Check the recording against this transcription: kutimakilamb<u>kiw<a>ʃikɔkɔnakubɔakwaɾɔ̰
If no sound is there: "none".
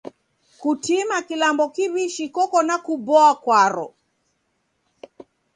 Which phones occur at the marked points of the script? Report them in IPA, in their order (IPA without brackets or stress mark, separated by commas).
ɔ, i